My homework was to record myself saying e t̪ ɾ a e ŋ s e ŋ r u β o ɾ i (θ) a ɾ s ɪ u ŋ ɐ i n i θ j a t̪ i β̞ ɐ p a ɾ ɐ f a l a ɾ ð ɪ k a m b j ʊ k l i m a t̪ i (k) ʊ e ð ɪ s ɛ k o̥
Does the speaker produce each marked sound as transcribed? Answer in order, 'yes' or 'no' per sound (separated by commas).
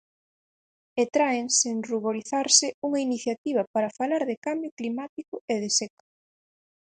yes, yes